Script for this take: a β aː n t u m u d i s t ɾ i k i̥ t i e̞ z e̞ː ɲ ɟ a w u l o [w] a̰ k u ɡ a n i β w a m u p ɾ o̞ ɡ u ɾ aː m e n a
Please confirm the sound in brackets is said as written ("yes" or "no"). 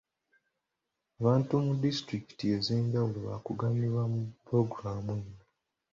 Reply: no